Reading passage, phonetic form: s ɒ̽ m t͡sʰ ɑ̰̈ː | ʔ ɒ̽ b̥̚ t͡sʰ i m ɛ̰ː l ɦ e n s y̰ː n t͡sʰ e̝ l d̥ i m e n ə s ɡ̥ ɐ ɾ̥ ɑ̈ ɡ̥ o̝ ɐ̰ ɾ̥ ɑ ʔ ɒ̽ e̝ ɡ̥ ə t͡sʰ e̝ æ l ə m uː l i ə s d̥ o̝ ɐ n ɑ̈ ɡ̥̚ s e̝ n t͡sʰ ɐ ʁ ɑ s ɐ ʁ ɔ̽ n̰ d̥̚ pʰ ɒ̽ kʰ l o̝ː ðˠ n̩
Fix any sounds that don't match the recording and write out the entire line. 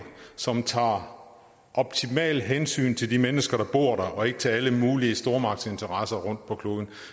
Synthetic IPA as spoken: s ɒ̽ m t͡sʰ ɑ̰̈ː | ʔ ɒ̽ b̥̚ t͡sʰ i m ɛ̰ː l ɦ e n s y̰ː n t͡sʰ e̝ l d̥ i m e n ə s ɡ̥ ɐ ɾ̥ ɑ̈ b̥ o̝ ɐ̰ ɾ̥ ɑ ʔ ɒ̽ e̝ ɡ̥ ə t͡sʰ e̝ æ l ə m uː l i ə s d̥ o̝ ɐ m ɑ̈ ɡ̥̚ s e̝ n t͡sʰ ɐ ʁ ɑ s ɐ ʁ ɔ̽ n̰ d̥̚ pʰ ɒ̽ kʰ l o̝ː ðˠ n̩